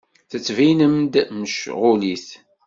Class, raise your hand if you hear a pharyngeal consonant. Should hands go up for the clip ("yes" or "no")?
no